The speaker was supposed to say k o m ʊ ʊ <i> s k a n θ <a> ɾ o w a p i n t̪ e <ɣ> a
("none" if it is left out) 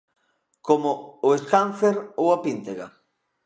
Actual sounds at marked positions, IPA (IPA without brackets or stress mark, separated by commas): e, e, ɣ